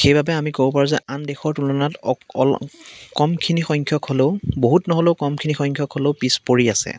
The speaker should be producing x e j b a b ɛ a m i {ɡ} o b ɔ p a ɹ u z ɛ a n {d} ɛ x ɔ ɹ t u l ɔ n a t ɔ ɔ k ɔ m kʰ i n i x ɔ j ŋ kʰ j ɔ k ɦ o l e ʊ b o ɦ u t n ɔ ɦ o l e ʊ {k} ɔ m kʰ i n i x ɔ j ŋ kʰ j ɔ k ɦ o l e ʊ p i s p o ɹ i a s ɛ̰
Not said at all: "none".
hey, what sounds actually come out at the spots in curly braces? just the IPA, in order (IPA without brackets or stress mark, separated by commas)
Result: k, d, k